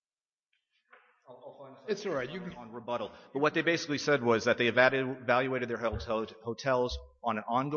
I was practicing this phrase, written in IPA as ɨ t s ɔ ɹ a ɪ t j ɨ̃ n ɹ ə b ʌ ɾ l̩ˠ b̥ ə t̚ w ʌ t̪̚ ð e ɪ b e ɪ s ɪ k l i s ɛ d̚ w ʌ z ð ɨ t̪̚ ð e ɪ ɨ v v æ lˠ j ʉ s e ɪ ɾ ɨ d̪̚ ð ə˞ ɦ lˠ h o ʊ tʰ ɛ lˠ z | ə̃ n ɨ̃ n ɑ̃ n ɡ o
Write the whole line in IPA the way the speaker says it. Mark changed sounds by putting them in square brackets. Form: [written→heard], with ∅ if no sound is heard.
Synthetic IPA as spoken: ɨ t s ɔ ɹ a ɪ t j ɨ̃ n ɹ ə b ʌ ɾ l̩ˠ b̥ [ə→ʌ] t̚ w ʌ t̪̚ ð e ɪ b e ɪ s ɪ k l i s ɛ d̚ w ʌ z ð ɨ t̪̚ ð e ɪ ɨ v v æ lˠ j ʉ [s→∅] e ɪ ɾ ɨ d̪̚ ð ə˞ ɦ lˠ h o ʊ tʰ ɛ lˠ z | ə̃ n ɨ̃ n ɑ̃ n ɡ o